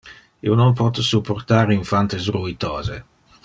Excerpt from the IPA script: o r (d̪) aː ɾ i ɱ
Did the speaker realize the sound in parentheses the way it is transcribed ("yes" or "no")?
no